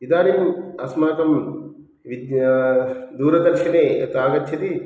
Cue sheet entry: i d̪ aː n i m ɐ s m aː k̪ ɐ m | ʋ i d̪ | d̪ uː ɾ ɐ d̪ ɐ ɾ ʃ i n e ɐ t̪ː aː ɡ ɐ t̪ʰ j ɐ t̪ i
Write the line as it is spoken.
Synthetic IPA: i d̪ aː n i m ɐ s m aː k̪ ɐ m | ʋ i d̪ | d̪ uː ɾ ɐ d̪ ɐ ɾ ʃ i n e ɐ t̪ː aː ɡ ɐ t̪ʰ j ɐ t̪ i